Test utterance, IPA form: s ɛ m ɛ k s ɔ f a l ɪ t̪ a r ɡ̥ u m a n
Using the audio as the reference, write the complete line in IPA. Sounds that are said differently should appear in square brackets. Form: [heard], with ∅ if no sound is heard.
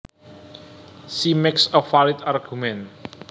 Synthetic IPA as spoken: s [i] m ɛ k s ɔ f a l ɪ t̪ a r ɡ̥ u m [ɛ] n